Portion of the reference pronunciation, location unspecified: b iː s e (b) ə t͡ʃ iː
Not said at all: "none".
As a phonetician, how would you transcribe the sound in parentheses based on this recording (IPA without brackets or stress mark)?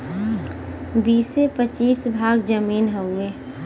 p